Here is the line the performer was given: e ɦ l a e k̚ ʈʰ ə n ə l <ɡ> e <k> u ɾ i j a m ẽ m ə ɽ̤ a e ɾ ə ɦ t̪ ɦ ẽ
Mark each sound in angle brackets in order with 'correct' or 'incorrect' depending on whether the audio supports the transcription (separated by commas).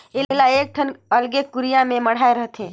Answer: correct, correct